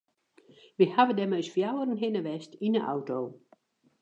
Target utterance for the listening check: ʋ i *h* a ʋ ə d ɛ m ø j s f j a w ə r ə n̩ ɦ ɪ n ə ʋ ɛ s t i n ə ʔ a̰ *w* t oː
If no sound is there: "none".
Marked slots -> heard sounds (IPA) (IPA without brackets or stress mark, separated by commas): h, w